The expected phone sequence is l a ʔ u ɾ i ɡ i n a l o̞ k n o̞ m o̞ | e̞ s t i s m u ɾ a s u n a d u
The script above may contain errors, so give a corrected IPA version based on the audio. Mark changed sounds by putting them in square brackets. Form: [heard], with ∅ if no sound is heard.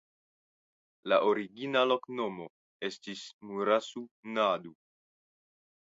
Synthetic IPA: l a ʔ [o] ɾ i ɡ i n a l o̞ k n o̞ m o̞ | e̞ s t i s m u ɾ a s u n a d u